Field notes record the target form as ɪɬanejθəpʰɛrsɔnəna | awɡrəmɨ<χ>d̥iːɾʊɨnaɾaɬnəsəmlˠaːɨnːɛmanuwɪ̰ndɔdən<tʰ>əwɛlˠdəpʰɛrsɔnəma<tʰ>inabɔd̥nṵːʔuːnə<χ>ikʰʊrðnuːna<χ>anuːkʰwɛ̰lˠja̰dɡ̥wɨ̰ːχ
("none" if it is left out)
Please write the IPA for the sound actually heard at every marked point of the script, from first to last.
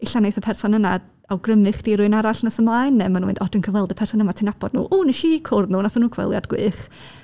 χ, kʰ, tʰ, ʃ, θ

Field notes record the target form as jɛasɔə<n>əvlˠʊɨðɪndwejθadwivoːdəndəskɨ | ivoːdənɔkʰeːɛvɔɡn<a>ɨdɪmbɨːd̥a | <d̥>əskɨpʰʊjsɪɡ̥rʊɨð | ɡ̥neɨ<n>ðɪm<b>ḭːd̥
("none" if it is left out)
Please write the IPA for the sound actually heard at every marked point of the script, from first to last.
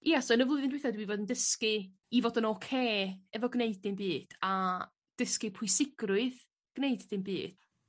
n, e, d̥, d, b

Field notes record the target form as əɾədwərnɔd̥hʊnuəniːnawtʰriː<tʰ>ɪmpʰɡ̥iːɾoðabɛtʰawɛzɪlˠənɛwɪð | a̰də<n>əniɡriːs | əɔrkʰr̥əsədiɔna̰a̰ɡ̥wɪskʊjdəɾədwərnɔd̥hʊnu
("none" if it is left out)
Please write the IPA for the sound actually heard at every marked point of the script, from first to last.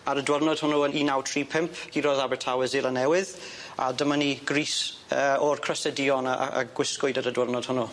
pʰ, m

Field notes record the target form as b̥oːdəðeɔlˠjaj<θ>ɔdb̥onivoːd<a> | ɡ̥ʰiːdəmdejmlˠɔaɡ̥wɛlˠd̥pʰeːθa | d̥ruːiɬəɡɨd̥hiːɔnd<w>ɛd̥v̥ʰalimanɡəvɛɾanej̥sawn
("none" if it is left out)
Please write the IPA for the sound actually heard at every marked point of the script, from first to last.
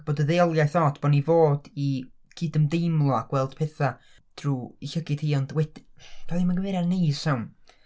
θ, i, w

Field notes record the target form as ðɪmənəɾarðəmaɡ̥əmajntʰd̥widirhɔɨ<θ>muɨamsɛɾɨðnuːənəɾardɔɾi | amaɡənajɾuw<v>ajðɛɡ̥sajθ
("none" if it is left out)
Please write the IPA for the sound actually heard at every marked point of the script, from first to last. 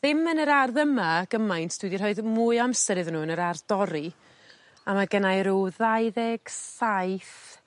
ð, ð

